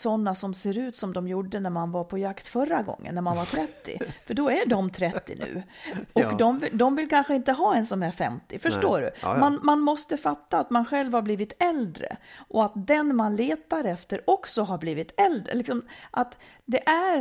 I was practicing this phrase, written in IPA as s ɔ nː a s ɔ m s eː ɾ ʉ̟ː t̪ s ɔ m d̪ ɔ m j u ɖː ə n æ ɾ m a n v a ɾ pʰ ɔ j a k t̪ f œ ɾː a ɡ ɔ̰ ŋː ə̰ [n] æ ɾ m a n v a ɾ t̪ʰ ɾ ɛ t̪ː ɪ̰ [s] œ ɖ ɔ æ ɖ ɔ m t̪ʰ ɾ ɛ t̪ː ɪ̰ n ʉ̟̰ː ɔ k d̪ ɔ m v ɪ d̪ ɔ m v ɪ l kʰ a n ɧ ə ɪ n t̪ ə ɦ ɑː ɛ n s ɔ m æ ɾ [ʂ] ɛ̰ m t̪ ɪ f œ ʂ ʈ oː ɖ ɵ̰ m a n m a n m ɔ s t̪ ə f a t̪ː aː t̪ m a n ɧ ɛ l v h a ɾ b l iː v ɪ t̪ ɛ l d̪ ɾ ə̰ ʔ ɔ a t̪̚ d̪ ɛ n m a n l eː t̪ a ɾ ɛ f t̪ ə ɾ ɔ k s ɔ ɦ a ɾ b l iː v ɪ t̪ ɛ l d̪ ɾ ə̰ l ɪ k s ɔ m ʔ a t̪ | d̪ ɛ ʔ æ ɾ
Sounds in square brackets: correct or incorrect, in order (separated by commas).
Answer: incorrect, incorrect, incorrect